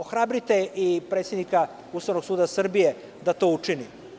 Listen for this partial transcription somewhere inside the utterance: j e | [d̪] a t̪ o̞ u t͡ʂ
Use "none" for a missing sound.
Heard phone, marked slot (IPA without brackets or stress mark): d̪